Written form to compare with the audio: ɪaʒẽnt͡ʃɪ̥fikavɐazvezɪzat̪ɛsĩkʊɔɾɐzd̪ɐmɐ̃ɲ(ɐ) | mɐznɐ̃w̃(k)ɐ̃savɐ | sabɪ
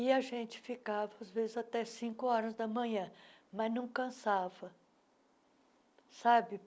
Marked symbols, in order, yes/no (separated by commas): no, yes